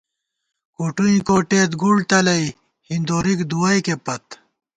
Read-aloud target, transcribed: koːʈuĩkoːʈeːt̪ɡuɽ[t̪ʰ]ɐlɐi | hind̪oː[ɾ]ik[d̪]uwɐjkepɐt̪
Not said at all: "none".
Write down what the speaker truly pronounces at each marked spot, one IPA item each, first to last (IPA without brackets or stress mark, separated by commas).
t̪, ɾ, d̪